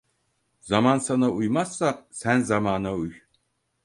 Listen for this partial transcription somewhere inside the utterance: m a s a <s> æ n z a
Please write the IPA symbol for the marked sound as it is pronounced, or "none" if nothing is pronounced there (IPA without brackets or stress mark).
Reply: s